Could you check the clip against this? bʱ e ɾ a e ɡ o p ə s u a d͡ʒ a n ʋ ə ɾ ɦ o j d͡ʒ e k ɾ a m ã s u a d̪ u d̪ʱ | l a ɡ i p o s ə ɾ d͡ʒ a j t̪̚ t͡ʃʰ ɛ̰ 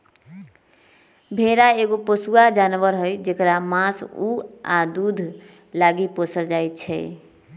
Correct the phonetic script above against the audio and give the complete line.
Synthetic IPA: bʱ e ɾ a e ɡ o p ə s u a d͡ʒ a n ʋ ə ɾ ɦ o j d͡ʒ e k ɾ a m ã s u a d̪ u d̪ʱ | l a ɡ i p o s ə l d͡ʒ a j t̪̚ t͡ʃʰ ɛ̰